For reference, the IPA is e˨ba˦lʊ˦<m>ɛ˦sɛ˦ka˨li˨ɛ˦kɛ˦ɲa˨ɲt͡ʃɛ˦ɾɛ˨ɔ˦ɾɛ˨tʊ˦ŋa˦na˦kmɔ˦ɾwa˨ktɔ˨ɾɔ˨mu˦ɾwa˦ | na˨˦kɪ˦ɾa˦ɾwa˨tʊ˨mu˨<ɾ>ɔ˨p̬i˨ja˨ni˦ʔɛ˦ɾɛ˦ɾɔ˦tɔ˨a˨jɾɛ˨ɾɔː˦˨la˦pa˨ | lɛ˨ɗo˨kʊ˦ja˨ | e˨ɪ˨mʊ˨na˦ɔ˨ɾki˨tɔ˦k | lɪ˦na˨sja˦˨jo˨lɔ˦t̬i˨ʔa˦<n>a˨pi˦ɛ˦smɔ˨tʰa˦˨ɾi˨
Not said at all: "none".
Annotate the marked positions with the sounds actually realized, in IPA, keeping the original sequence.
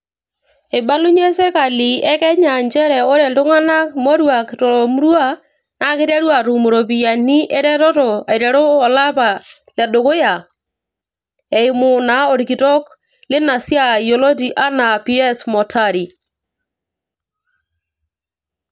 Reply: ɲ, ɾ, n

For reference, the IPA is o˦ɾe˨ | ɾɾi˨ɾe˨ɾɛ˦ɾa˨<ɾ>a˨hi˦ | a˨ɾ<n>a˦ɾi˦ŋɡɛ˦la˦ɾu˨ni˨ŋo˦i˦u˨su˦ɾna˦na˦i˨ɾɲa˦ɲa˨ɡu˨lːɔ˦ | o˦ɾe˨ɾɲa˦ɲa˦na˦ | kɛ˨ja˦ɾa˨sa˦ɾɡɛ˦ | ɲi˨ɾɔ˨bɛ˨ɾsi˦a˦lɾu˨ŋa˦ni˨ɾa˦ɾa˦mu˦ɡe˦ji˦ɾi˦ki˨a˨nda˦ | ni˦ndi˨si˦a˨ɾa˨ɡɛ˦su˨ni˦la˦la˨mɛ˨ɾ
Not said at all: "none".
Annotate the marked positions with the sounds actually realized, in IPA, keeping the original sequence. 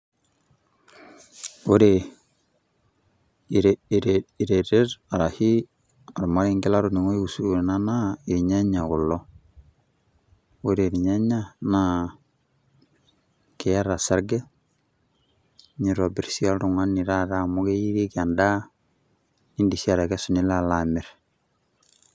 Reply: ɾ, m

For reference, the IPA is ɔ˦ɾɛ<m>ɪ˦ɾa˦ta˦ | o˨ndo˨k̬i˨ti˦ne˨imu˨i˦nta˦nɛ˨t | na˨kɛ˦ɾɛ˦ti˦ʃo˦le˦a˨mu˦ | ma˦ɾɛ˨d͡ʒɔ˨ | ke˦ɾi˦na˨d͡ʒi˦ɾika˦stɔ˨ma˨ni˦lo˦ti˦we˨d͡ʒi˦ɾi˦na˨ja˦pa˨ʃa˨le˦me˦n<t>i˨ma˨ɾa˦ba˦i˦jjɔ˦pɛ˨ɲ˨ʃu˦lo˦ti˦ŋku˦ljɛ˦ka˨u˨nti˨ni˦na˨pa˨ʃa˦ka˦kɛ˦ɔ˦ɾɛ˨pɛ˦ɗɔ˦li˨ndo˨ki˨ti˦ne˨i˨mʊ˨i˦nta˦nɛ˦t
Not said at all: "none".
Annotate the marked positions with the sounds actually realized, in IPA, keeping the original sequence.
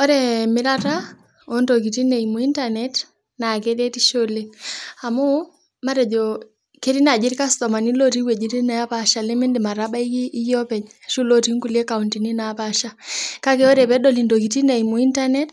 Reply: m, d

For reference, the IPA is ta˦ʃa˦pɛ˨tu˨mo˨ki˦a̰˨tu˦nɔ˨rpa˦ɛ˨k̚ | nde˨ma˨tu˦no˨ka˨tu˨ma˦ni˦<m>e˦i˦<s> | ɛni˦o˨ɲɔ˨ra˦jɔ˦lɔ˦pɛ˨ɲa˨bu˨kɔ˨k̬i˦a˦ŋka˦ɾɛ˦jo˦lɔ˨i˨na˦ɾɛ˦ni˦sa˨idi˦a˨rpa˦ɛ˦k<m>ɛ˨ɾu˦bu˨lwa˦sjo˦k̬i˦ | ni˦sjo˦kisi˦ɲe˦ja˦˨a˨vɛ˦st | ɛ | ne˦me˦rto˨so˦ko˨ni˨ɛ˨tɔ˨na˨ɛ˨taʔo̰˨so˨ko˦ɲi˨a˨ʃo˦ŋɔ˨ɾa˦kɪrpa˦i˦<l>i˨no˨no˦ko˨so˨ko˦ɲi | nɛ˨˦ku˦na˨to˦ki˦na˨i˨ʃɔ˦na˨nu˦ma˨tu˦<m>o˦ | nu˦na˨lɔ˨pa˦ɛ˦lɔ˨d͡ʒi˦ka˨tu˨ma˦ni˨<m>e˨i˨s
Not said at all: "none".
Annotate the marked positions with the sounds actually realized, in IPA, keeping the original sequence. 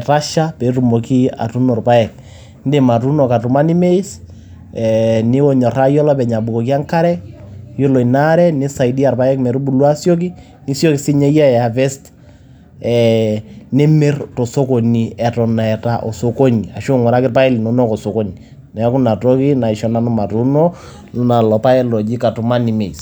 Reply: m, s, m, l, n, m

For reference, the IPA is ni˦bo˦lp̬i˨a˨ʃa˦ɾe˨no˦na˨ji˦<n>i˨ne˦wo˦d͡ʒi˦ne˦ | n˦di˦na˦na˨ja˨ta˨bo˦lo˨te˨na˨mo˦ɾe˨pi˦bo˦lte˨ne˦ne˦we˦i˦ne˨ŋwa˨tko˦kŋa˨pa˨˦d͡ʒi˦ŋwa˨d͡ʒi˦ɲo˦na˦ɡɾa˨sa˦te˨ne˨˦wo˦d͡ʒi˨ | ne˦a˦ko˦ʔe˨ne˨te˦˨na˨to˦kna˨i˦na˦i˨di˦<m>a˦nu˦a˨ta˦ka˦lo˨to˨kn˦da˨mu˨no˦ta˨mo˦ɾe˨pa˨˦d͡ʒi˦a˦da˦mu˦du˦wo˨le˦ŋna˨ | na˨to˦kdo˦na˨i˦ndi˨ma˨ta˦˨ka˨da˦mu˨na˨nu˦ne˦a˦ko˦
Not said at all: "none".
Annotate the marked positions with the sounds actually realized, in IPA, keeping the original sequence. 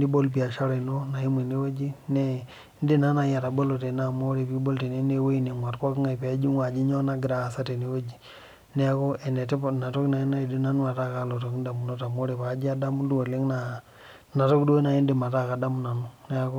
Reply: m, n

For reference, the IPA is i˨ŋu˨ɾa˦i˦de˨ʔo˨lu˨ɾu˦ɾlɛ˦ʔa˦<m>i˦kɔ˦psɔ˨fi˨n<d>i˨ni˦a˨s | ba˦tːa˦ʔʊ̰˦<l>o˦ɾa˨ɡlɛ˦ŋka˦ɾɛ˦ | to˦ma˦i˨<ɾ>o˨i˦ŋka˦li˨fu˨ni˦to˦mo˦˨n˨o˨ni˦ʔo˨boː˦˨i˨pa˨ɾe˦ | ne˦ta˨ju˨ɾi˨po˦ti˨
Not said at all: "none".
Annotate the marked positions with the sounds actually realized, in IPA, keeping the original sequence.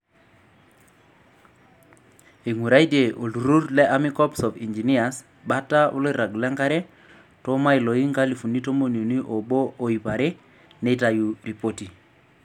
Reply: m, d͡ʒ, l, l

